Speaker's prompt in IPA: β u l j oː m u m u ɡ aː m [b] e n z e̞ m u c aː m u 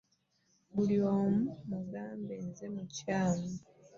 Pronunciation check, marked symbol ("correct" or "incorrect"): correct